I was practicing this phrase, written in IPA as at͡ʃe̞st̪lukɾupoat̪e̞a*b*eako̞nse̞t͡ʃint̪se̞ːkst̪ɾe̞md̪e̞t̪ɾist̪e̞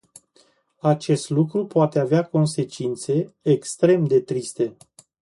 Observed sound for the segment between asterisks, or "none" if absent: v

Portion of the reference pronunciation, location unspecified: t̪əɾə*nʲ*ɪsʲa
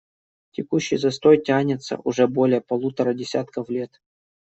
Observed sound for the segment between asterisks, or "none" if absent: dʲ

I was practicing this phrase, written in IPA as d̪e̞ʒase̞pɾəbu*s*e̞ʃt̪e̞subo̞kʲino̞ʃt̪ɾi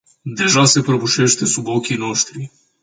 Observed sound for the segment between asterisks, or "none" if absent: ʃ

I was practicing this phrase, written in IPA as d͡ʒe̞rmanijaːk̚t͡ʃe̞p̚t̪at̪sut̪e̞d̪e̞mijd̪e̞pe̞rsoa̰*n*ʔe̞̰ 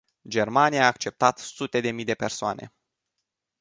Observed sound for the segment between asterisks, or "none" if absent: n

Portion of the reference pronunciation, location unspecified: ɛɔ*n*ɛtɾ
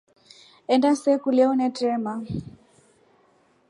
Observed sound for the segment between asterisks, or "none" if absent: n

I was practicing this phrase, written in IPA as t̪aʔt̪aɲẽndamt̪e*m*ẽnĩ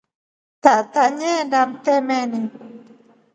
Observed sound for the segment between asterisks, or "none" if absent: m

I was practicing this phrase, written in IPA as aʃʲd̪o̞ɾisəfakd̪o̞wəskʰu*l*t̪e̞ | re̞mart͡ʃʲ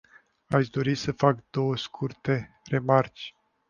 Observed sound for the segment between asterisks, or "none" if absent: r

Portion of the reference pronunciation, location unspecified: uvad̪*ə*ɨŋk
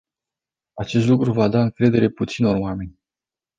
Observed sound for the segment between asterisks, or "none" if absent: a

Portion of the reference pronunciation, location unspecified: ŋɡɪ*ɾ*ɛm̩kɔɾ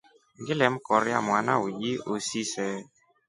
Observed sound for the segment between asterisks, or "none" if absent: l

